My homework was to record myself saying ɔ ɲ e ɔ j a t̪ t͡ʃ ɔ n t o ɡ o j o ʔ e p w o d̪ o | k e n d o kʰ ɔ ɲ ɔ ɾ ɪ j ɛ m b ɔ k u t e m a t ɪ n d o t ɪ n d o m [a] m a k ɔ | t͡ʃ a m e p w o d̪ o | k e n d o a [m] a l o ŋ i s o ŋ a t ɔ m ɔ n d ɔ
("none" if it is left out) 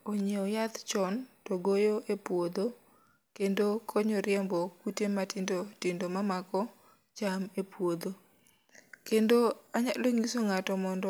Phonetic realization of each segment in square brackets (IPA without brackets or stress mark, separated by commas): a, ɲ